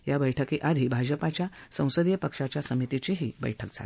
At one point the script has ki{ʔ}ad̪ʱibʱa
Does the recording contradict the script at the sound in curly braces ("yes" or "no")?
no